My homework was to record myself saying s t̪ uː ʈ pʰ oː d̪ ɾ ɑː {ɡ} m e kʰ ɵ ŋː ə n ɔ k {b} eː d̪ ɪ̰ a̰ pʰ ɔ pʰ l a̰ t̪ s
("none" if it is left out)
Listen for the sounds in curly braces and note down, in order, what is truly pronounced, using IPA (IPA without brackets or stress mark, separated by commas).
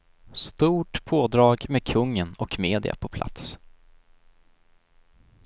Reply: ɡ, m